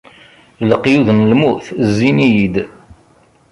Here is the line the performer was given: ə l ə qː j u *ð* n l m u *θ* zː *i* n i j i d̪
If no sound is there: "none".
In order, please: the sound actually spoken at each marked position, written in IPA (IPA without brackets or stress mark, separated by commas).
ð, θ, i